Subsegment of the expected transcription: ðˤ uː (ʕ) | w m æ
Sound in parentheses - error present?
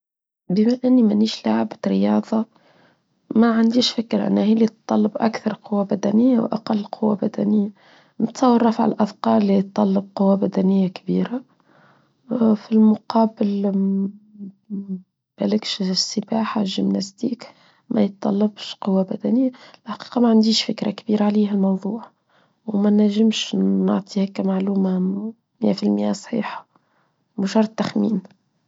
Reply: no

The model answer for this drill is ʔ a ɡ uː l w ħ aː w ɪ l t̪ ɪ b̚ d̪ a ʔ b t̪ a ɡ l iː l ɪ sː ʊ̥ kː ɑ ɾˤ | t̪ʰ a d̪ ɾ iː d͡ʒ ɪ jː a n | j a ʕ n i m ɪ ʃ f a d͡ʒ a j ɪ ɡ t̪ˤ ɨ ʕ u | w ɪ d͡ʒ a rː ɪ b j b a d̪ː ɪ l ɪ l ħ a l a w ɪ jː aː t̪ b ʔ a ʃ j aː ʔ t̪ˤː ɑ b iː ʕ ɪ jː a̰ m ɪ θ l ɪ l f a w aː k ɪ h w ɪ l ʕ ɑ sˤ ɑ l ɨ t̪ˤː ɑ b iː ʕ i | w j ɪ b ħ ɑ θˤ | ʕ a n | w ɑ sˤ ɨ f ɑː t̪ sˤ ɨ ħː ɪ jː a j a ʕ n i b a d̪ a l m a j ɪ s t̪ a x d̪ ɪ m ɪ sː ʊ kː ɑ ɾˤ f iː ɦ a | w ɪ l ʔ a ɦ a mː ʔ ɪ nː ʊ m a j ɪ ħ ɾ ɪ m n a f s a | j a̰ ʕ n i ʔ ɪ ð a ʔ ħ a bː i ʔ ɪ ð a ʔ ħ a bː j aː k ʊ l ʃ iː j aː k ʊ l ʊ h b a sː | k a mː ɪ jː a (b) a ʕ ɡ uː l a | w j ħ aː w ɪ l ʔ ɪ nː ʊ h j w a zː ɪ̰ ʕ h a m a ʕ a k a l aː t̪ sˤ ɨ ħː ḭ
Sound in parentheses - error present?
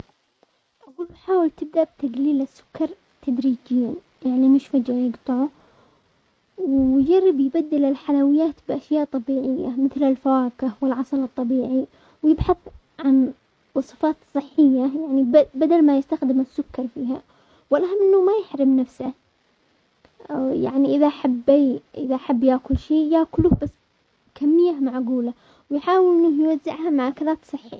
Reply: yes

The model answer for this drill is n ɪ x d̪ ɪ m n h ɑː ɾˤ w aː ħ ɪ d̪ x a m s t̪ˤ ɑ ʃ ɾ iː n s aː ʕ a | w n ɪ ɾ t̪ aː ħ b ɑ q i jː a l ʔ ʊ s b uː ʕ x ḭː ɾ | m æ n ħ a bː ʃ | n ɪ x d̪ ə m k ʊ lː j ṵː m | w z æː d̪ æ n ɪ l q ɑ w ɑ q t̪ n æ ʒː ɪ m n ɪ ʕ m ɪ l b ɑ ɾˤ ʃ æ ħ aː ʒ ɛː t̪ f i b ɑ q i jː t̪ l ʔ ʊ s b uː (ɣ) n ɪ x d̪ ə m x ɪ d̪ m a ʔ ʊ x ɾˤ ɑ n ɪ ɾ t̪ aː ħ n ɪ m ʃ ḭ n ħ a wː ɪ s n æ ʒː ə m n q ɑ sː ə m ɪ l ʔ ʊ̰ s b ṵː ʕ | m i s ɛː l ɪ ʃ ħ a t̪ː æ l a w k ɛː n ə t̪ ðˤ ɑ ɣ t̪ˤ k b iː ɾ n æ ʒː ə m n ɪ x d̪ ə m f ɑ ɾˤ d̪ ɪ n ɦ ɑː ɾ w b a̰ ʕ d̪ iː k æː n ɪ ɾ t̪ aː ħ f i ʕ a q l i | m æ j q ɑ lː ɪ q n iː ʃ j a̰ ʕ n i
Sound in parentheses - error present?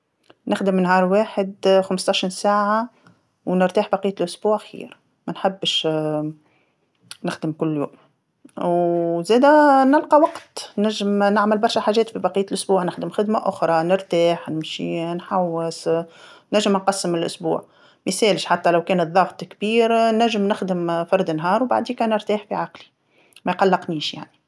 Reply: yes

